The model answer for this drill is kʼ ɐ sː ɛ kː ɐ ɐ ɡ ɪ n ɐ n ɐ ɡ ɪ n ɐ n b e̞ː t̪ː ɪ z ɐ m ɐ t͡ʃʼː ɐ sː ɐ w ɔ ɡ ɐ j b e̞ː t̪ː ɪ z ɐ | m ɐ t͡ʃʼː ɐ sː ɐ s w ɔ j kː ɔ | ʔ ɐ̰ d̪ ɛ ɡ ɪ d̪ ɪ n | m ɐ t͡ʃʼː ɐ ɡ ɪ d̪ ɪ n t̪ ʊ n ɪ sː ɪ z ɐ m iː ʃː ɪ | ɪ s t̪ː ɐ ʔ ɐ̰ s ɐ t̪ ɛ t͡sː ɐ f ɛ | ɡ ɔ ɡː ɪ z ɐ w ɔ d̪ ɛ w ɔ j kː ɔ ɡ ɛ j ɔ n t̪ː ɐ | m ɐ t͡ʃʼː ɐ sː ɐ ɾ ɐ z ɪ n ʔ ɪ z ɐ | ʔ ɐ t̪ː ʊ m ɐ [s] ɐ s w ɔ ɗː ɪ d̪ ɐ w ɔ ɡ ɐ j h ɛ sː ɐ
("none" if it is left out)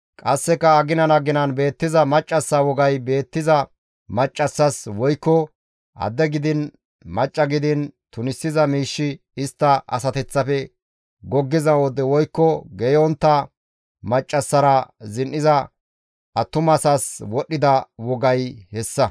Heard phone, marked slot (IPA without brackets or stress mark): s